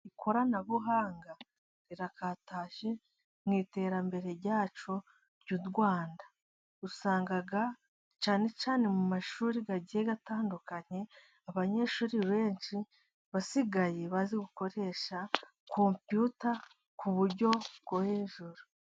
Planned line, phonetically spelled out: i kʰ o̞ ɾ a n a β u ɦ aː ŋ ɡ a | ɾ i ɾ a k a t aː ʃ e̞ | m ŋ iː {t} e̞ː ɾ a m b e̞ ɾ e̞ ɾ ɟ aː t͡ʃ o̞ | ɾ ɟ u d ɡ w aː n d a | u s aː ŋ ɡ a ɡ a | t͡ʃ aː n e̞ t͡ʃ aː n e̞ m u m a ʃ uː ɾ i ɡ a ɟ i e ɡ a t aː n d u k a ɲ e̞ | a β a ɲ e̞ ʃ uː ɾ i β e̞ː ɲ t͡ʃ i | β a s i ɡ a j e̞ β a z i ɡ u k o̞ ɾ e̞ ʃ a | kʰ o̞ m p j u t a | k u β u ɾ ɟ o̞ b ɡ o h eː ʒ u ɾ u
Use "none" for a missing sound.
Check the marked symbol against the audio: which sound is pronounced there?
t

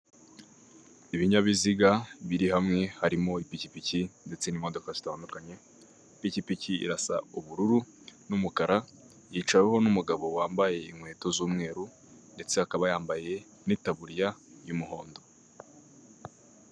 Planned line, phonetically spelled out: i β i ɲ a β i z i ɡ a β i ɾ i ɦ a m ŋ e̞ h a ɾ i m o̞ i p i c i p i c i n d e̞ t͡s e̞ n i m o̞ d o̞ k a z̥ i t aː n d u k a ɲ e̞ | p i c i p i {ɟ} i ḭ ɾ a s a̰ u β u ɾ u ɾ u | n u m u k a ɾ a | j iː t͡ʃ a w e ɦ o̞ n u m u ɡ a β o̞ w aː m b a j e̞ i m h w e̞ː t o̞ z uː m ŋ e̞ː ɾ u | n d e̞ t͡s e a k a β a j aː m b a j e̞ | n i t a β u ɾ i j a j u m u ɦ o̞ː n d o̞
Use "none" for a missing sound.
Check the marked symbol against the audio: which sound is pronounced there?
c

